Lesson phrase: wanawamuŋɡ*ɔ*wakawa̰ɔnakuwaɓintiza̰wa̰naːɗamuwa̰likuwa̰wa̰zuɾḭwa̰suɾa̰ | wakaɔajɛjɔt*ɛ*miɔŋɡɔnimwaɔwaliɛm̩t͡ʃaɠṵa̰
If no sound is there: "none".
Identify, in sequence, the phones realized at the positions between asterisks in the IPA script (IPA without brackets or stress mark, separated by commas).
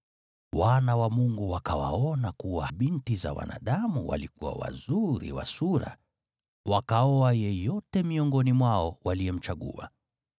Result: u, ɛ